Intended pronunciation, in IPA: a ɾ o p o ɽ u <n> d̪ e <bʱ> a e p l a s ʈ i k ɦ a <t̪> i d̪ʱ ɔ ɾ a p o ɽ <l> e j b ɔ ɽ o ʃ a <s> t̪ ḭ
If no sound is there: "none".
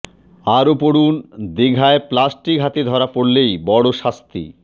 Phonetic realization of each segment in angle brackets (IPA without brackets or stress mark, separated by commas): n, ɡʱ, t̪, l, s